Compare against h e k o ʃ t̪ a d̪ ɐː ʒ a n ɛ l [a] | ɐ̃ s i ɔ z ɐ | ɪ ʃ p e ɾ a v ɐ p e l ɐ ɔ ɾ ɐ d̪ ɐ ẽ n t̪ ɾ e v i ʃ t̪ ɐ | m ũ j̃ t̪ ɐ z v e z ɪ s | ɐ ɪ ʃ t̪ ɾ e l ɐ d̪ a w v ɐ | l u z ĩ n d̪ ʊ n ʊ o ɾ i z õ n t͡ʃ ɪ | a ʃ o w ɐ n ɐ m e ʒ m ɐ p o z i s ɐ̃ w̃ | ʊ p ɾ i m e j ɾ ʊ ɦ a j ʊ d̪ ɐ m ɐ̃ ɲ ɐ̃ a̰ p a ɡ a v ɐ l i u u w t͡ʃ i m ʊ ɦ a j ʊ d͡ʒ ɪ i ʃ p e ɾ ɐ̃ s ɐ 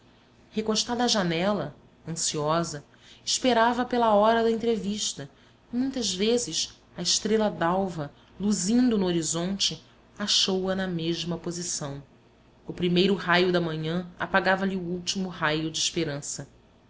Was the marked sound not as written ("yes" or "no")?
yes